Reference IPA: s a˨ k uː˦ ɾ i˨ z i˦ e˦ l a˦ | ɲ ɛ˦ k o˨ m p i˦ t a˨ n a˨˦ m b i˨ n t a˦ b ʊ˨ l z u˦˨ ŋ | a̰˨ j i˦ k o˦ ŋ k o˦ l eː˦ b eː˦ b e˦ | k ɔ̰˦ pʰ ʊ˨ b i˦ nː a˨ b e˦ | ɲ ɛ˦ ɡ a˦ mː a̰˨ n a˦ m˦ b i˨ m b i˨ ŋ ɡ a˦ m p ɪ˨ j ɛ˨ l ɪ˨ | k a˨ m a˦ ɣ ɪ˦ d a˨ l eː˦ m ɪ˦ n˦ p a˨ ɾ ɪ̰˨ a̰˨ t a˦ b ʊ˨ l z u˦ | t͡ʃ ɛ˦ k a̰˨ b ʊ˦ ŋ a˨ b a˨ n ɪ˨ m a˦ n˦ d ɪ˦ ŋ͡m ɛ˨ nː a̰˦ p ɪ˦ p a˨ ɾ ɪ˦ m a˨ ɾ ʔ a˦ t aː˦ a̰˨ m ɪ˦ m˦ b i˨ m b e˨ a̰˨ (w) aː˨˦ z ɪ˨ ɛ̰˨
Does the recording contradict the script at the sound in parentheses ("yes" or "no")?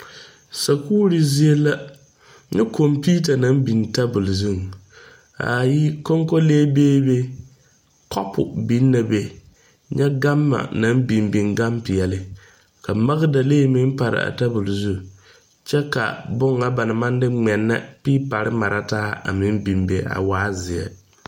no